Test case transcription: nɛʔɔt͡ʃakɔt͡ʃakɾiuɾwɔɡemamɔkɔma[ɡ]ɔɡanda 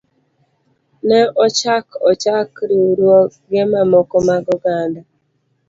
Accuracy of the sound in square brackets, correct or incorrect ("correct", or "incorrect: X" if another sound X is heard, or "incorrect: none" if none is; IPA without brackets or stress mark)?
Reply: correct